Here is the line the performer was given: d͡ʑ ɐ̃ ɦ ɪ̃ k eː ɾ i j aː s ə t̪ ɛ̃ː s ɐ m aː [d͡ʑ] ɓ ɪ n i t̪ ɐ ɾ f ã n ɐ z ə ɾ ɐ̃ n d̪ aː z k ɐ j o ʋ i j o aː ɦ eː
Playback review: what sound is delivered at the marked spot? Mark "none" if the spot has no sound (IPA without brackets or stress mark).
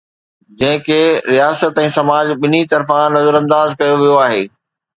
d͡ʑ